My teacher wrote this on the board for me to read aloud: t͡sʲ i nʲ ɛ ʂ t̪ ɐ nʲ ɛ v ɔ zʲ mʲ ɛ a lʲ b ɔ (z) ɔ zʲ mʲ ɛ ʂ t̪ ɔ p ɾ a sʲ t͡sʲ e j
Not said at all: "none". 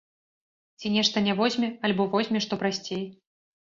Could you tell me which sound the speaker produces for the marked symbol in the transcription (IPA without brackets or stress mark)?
v